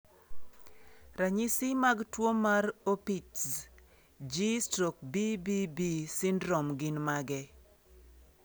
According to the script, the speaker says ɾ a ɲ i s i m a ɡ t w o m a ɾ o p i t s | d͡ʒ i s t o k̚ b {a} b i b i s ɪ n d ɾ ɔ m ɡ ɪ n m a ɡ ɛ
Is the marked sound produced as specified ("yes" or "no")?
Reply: no